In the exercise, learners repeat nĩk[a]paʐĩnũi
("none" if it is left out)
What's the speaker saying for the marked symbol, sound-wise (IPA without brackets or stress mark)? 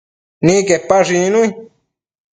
e